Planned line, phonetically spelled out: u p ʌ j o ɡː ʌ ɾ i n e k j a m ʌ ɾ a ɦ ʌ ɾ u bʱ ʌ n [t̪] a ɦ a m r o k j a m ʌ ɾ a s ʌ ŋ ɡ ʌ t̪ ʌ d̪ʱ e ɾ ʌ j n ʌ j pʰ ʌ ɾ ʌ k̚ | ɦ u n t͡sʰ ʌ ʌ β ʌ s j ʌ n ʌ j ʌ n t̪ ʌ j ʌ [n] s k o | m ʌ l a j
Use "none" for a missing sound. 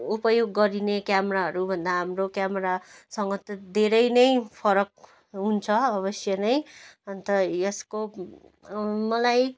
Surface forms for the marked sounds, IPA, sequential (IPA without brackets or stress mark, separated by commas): d̪, none